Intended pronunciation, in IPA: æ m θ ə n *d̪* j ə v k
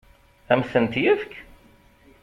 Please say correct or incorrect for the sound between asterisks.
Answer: incorrect: t̪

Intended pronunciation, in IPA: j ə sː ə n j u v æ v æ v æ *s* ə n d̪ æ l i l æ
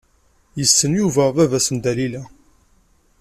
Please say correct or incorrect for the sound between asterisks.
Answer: correct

